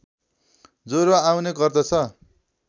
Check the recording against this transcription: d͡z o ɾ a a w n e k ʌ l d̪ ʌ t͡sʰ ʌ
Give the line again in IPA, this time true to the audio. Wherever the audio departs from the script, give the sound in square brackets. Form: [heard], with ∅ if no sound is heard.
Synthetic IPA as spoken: d͡z o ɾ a a w n e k ʌ [r] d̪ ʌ t͡sʰ ʌ